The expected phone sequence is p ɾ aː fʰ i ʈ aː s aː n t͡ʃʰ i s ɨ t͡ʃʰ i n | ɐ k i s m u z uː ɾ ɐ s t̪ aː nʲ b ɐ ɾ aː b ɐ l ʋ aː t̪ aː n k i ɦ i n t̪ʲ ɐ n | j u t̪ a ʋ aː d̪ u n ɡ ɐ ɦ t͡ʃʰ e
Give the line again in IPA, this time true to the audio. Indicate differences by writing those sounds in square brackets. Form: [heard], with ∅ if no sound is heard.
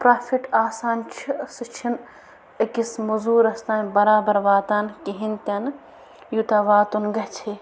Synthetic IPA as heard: p ɾ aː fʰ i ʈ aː s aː n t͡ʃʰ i s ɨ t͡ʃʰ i n | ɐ k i s m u z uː ɾ ɐ s t̪ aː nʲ b ɐ ɾ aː b ɐ [ɾ] ʋ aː t̪ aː n k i ɦ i n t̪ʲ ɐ n | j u t̪ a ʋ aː [t̪] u n ɡ ɐ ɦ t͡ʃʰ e